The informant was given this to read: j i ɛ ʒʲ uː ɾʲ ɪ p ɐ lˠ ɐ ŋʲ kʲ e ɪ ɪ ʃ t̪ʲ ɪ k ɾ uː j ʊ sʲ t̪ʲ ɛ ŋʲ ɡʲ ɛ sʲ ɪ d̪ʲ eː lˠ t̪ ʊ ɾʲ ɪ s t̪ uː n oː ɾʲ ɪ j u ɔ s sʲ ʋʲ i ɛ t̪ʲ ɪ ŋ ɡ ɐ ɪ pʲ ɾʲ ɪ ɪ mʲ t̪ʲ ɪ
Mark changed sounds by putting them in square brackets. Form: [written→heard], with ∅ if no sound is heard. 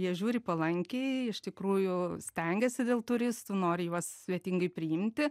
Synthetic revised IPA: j i ɛ ʒʲ uː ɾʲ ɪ p ɐ lˠ ɐ ŋʲ kʲ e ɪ ɪ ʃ t̪ʲ ɪ k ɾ uː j ʊ sʲ t̪ʲ ɛ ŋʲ ɡʲ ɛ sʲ ɪ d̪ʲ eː lˠ t̪ ʊ ɾʲ ɪ s t̪ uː n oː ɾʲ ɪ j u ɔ s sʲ ʋʲ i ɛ t̪ʲ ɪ ŋ ɡ ɐ ɪ pʲ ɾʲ ɪ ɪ mʲ t̪ʲ ɪ